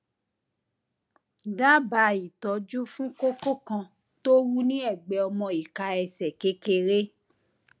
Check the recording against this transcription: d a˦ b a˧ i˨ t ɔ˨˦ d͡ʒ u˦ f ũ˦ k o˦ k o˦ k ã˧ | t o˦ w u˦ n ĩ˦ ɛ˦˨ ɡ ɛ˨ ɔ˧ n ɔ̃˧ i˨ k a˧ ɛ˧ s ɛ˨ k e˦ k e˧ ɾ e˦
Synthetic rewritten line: d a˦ b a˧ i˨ t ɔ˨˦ d͡ʒ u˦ f ũ˦ k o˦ k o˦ k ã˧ | t o˦ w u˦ n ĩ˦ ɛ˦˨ ɡ͡b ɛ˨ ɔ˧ m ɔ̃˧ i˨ k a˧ ɛ˧ s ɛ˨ k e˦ k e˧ ɾ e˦